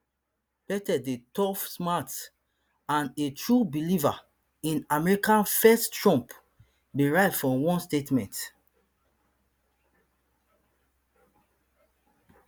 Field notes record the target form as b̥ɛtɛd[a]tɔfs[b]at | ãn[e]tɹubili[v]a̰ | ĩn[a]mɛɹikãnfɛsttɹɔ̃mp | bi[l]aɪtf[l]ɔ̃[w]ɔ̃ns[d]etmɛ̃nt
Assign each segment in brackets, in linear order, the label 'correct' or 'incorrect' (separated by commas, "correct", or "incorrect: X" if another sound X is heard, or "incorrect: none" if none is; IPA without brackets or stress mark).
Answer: incorrect: e, incorrect: m, correct, correct, correct, incorrect: ɹ, incorrect: ɹ, correct, incorrect: t